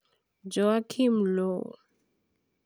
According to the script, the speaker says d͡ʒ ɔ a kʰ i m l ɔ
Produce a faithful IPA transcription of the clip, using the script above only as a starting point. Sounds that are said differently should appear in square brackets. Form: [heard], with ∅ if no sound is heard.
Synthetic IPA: d͡ʒ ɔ a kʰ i m l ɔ